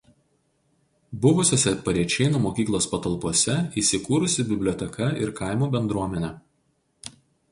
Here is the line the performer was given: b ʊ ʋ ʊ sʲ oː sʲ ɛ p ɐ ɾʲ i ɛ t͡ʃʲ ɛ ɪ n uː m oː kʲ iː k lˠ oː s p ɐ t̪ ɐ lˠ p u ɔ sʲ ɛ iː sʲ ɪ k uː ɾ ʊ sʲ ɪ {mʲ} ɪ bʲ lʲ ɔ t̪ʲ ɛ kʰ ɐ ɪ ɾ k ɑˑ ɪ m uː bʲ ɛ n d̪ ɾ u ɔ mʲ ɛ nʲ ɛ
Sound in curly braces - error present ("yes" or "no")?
yes